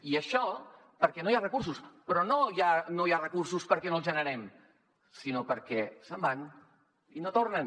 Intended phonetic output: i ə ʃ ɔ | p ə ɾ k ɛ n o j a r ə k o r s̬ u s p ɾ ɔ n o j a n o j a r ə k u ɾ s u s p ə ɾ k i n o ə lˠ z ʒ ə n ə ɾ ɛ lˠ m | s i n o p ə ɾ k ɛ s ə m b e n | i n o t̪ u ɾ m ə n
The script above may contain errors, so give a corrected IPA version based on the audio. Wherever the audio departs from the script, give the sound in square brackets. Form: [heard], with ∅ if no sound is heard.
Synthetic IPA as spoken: i ə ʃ ɔ | p ə ɾ k ɛ n o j a r ə k [u] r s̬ u s p ɾ ɔ n o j a n o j a r ə k u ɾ s u s p ə ɾ k [ɛ] n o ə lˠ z ʒ ə n ə ɾ ɛ [∅] m | s i n o p ə ɾ k ɛ s ə m b [a] n | i n o t̪ [o] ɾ [n] ə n